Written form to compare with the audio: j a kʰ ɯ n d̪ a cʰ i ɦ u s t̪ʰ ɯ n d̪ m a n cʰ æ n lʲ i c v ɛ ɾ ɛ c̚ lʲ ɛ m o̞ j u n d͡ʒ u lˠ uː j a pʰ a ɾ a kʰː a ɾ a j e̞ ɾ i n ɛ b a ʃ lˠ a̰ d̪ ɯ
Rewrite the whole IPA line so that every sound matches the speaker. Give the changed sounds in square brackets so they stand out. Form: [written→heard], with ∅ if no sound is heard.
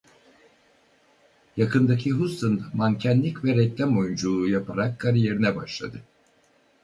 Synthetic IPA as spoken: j a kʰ ɯ n d̪ a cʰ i ɦ u s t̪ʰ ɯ n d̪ m a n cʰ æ n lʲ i c v ɛ ɾ ɛ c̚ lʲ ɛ m o̞ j u n d͡ʒ u lˠ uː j a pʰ a ɾ a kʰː a ɾ [a→i] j e̞ ɾ i n ɛ b a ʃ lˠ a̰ d̪ ɯ